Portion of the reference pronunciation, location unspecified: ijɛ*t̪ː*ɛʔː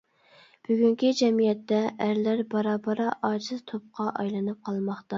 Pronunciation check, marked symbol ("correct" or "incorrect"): correct